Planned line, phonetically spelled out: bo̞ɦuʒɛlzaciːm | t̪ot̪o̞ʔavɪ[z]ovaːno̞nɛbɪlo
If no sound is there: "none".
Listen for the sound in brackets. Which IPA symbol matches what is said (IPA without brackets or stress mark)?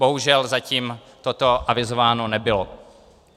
z